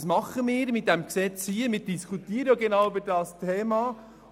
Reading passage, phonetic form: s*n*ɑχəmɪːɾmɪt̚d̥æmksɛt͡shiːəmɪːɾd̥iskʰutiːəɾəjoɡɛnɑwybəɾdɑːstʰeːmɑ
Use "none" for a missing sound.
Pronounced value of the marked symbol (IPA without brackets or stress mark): m